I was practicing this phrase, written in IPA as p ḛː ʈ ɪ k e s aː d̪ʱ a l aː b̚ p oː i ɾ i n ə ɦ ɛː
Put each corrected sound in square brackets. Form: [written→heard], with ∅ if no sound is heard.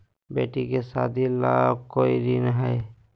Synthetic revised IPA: [p→b] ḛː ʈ [ɪ→i] k e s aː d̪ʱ [a→i] l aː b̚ [p→k] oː i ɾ i n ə ɦ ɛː